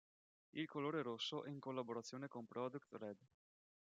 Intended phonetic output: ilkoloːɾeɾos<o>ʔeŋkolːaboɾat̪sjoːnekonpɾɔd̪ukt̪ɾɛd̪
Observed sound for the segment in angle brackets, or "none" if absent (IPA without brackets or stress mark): o